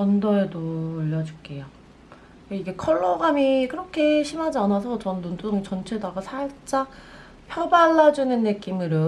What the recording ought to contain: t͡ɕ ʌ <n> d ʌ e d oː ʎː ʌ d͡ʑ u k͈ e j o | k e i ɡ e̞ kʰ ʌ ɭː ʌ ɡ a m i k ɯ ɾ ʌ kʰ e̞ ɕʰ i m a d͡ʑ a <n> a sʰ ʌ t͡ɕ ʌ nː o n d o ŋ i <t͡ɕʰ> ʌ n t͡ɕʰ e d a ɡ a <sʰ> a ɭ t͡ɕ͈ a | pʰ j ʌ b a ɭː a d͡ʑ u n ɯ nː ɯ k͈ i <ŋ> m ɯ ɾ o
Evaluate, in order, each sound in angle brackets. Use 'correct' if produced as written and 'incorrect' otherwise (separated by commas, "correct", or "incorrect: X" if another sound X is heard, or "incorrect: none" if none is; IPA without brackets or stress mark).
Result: correct, correct, incorrect: t͡ɕ, correct, incorrect: none